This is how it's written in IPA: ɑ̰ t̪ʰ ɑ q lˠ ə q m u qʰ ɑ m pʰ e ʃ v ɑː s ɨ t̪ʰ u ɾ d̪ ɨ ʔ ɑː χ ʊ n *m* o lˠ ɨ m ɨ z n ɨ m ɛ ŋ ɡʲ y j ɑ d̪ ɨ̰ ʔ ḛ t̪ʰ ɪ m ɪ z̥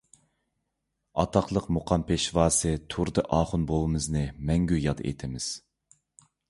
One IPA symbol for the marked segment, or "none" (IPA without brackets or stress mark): b